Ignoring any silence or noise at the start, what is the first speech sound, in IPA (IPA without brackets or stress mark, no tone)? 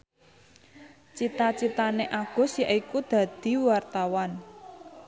t͡ʃ